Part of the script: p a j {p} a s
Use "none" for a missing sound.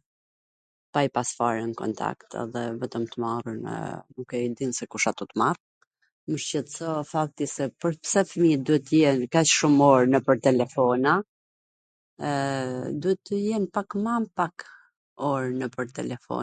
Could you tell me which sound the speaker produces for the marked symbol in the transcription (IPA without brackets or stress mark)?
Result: p